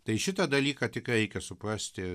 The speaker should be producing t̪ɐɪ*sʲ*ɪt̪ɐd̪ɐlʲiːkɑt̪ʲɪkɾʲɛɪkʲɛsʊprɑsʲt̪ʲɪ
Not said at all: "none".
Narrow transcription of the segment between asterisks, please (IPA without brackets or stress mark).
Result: ʃʲ